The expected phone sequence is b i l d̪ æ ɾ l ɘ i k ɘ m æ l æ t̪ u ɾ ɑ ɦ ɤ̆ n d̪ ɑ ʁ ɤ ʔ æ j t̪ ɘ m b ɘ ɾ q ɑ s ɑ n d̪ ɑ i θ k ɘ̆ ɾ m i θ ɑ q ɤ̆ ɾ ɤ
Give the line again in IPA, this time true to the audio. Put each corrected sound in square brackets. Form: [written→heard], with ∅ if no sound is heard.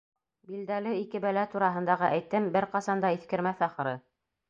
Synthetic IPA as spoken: b i l d̪ æ [ɾ→∅] l ɘ i k ɘ [m→b] æ l æ t̪ u ɾ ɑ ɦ ɤ̆ n d̪ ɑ ʁ ɤ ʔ æ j t̪ ɘ m b ɘ ɾ q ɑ s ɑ n d̪ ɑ i θ k ɘ̆ ɾ m [i→æ] θ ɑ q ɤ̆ ɾ ɤ